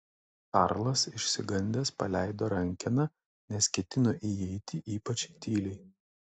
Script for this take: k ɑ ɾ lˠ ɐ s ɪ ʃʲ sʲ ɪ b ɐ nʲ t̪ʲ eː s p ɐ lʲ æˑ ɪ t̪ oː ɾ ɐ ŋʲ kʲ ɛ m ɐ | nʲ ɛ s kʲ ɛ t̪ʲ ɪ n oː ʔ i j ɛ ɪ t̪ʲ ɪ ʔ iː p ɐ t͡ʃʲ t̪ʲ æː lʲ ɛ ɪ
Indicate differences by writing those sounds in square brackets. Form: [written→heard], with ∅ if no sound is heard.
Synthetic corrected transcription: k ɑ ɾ lˠ ɐ s ɪ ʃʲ sʲ ɪ [b→ɡ] ɐ nʲ [t̪ʲ→d̪ʲ] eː s p ɐ lʲ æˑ ɪ [t̪→d̪] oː ɾ ɐ ŋʲ kʲ ɛ [m→n] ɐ | nʲ ɛ s kʲ ɛ t̪ʲ ɪ n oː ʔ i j ɛ ɪ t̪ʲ ɪ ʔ iː p ɐ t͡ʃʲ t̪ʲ [æː→iː] lʲ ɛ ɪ